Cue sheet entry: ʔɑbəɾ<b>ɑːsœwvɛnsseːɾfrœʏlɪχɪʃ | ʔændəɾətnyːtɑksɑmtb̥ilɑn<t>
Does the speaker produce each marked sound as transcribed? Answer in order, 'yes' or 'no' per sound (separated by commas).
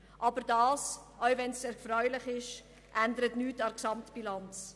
no, no